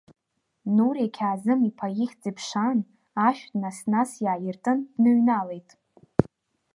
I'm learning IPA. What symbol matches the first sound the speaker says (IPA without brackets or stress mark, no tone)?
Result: n